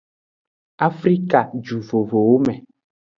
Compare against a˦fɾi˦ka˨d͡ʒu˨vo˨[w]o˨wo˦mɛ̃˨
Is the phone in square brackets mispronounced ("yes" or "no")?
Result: yes